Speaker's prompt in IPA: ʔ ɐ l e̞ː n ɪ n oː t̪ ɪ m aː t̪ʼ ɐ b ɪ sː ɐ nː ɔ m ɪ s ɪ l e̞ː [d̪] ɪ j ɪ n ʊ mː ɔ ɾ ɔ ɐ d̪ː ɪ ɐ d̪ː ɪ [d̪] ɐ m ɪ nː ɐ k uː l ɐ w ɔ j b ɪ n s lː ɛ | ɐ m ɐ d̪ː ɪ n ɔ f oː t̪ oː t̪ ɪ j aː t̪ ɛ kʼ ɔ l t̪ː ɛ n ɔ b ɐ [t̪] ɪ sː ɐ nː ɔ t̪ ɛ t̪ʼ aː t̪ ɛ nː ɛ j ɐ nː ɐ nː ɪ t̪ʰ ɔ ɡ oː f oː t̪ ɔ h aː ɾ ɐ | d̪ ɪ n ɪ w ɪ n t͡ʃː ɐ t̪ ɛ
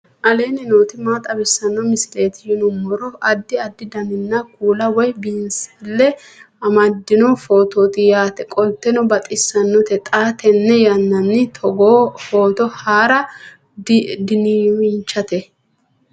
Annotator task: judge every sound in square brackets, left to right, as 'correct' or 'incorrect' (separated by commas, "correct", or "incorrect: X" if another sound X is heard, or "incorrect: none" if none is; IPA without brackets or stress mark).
incorrect: t̪, correct, incorrect: t̪ʼ